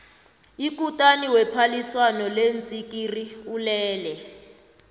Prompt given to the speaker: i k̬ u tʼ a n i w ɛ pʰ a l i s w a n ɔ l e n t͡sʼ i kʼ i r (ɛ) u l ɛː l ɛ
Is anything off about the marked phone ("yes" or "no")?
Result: yes